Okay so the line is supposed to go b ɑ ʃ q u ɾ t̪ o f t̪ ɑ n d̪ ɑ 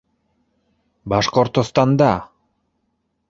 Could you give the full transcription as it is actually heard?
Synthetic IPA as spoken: b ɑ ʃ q o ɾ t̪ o s t̪ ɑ n d̪ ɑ